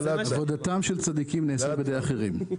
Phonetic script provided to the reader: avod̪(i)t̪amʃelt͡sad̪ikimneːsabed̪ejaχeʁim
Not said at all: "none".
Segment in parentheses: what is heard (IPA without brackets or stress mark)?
a